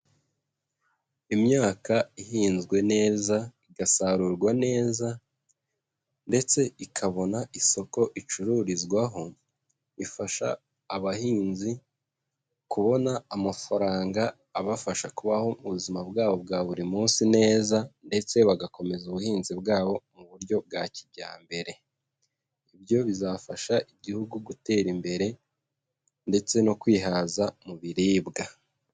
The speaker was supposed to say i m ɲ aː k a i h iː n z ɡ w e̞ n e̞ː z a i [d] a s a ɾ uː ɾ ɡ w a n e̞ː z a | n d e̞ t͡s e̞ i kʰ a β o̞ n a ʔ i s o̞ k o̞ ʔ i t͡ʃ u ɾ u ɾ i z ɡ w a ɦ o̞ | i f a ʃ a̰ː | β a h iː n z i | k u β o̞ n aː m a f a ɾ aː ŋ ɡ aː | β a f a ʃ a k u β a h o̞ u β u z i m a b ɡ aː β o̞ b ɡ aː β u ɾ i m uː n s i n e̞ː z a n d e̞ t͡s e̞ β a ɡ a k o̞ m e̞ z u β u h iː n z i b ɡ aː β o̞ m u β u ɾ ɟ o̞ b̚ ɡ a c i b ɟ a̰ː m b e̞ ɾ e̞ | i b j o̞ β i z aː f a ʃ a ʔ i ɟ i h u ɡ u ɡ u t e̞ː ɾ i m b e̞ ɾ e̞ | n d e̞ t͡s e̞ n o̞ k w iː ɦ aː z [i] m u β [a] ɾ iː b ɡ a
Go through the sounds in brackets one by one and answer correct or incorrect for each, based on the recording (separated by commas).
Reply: incorrect, incorrect, incorrect